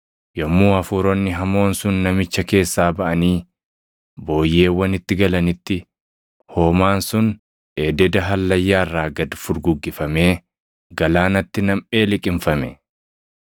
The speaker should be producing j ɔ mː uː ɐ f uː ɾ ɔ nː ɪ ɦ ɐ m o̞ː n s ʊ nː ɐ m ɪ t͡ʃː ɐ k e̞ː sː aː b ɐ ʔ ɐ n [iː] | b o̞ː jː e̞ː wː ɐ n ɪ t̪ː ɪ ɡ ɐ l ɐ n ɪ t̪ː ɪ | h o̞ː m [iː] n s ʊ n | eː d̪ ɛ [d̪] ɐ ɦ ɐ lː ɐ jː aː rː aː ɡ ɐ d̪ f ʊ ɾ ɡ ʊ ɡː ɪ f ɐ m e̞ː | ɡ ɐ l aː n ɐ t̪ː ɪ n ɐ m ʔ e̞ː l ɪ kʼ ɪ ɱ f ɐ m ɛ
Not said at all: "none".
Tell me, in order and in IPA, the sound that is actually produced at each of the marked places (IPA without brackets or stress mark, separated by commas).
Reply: iː, aː, d̪